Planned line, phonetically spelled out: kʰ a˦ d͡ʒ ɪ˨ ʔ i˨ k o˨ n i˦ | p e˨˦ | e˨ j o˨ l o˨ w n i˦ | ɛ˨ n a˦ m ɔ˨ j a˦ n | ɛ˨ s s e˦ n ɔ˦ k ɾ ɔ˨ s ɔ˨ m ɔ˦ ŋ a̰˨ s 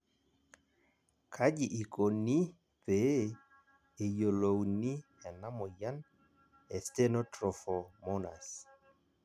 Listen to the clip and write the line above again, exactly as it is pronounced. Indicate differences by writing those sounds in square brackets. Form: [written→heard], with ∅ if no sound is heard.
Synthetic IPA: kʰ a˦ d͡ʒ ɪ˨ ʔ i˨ k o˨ n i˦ | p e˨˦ | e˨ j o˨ l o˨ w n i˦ | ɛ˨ n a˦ m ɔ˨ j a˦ n | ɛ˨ s [s→t] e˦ n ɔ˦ [k→t] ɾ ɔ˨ [s→f] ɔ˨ m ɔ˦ [ŋ→n] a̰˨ s